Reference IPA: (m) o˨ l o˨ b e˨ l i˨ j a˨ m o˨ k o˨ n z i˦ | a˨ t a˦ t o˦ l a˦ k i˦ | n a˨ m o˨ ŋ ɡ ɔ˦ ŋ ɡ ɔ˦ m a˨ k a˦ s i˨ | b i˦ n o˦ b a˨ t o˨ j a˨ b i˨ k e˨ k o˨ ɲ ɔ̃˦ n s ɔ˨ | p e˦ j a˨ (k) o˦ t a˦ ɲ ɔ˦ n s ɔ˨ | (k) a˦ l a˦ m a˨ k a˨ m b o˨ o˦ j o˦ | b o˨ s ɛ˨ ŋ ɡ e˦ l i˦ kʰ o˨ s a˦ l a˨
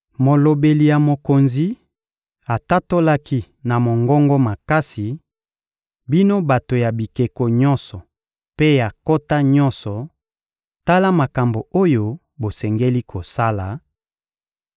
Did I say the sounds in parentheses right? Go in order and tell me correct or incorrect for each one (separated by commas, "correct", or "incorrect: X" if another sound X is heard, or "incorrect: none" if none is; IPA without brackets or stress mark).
correct, correct, incorrect: t